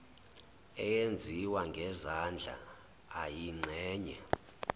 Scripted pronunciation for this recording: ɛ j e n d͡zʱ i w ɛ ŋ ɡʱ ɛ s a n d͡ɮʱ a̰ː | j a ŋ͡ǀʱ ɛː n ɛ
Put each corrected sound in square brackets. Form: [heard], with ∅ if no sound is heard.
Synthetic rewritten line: ɛ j e n d͡zʱ i w [a] ŋ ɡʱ ɛ [z] a n d͡ɮʱ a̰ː | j [i] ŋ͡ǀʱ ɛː [ɲ] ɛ